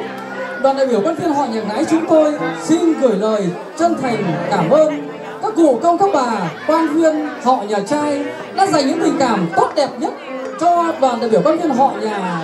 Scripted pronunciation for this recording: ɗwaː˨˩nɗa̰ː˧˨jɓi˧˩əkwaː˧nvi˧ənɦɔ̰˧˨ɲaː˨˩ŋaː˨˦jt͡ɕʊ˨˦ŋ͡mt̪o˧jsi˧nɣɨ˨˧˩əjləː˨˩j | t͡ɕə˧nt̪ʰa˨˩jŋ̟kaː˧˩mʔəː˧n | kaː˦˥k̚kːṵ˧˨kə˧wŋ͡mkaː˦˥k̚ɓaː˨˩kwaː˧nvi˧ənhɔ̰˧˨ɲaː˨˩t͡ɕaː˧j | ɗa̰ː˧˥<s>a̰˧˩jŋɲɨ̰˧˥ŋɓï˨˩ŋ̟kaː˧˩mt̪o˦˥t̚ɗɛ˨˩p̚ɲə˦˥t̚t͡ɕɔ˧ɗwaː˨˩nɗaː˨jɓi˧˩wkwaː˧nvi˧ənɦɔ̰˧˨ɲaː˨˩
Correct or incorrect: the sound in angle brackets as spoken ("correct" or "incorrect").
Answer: incorrect